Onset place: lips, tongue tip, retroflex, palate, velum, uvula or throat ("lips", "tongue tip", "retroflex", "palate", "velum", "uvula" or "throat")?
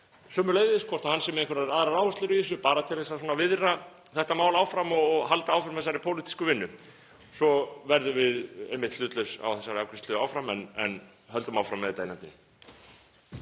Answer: tongue tip